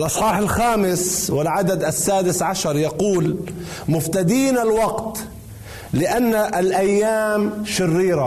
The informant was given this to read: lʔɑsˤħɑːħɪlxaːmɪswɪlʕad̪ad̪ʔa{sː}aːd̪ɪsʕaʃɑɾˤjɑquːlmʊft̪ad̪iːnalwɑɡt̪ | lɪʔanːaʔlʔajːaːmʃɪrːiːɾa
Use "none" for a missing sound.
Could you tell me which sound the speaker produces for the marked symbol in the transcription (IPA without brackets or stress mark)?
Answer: sː